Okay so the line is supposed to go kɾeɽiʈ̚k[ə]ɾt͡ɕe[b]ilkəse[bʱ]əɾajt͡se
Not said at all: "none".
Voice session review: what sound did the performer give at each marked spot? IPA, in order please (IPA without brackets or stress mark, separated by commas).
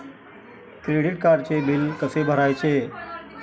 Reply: a, b, bʱ